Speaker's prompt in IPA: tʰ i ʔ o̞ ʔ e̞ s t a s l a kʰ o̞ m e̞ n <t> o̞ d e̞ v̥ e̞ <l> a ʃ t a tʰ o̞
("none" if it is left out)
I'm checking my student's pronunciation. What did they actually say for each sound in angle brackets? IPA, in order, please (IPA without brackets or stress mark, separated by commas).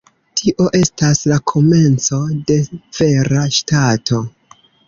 t͡s, ɾ